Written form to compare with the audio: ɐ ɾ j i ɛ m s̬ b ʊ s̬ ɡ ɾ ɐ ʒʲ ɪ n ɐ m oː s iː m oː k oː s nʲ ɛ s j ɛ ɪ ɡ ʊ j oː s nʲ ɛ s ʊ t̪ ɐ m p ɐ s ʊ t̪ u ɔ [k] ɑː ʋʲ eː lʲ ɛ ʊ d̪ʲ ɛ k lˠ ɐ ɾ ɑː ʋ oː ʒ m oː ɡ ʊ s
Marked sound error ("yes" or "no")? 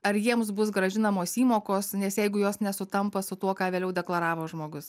no